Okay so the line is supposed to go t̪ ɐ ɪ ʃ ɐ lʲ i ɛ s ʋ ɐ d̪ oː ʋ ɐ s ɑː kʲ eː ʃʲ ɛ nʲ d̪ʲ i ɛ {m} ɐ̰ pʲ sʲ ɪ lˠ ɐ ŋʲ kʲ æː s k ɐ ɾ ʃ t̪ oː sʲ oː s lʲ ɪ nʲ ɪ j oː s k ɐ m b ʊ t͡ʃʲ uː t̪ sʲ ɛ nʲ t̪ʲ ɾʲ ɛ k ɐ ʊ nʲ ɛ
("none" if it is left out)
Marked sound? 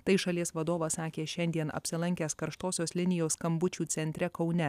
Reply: n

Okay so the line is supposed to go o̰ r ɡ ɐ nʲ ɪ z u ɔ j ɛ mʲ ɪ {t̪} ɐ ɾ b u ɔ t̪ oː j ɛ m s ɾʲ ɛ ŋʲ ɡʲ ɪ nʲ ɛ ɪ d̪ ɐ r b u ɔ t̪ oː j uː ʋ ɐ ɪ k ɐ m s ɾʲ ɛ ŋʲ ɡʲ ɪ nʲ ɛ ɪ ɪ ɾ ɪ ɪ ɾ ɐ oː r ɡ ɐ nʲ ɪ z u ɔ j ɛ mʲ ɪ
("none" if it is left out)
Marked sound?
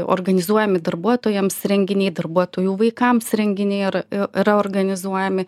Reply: d̪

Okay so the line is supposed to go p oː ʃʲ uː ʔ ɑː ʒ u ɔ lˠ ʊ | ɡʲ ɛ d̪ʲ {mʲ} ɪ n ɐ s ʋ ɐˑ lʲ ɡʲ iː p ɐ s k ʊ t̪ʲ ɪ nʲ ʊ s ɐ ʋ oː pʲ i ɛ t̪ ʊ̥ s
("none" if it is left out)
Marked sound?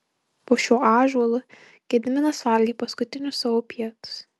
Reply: mʲ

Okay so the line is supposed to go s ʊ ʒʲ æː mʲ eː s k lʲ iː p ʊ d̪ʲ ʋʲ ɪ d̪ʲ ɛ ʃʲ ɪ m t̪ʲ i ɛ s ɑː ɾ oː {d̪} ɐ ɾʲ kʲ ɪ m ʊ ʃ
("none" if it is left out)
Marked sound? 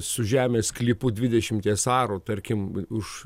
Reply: t̪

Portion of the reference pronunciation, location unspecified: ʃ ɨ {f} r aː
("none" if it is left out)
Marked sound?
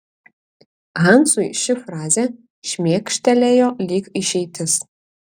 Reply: f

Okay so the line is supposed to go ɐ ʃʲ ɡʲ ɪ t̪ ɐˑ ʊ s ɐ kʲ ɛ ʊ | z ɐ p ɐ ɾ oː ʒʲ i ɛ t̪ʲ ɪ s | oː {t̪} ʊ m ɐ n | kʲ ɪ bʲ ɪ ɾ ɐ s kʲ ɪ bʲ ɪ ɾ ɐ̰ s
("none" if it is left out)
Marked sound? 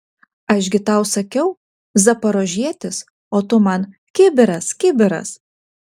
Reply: t̪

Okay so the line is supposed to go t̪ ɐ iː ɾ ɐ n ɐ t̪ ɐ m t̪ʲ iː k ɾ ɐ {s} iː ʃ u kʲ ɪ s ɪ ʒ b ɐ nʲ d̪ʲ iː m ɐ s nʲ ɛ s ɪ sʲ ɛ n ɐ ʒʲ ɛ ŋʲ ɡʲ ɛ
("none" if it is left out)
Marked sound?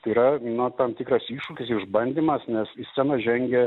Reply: s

